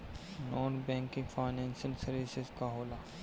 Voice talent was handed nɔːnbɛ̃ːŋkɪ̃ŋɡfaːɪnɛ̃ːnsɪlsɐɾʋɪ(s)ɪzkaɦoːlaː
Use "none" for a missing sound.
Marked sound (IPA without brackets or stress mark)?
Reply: s